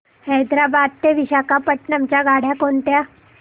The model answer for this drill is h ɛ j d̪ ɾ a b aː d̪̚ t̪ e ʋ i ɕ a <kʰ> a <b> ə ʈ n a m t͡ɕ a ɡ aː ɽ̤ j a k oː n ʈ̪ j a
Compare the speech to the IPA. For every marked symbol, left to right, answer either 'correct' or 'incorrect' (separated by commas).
incorrect, incorrect